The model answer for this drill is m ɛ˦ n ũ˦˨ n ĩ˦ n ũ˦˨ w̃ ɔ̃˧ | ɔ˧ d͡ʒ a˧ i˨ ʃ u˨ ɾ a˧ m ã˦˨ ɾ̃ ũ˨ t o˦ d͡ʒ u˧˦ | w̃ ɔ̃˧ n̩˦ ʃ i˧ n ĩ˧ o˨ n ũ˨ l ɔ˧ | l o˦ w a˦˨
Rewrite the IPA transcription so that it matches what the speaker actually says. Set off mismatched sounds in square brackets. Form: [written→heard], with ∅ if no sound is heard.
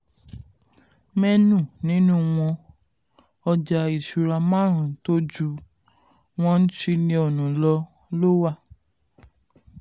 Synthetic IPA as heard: m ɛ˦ n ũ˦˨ n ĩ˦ n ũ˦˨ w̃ ɔ̃˧ | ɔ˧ d͡ʒ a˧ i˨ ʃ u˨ ɾ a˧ m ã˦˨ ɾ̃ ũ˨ t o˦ d͡ʒ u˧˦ | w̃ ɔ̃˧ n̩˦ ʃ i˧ n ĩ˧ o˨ n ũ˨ l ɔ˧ | l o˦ w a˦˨